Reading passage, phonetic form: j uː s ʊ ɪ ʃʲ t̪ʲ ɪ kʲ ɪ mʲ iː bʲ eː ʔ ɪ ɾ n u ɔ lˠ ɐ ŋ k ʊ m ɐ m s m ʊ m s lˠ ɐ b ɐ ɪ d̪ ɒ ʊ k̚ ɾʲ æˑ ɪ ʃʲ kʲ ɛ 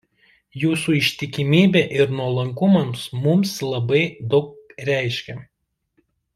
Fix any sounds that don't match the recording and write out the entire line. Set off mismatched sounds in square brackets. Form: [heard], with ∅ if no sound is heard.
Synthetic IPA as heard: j uː s [u] ɪ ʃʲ t̪ʲ ɪ kʲ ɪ mʲ iː bʲ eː ʔ ɪ ɾ n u ɔ lˠ ɐ ŋ k ʊ m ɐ m s m ʊ m s lˠ ɐ b ɐ ɪ d̪ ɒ ʊ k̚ ɾʲ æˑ ɪ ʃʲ kʲ ɛ